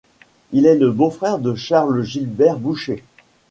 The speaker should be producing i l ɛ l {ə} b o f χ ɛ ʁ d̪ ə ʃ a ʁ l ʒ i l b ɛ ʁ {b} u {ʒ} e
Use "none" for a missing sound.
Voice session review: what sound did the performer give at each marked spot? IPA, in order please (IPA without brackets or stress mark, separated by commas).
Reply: ə, b, ʃ